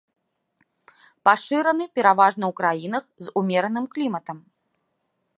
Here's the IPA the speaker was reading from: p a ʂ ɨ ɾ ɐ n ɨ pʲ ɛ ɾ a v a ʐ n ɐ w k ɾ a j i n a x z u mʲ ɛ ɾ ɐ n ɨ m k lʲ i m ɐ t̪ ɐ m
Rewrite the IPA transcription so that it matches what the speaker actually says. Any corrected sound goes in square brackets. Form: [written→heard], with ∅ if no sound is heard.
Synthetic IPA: p a ʂ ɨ ɾ ɐ n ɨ pʲ ɛ ɾ a v a ʐ n ɐ w k ɾ a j i n [a→ɐ] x z u mʲ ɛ ɾ ɐ n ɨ m k lʲ i m ɐ t̪ ɐ m